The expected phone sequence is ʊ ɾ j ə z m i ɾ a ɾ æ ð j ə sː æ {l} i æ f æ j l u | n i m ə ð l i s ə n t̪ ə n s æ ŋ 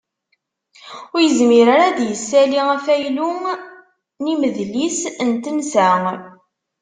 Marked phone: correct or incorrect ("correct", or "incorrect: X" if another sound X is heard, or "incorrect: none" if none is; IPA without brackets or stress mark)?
correct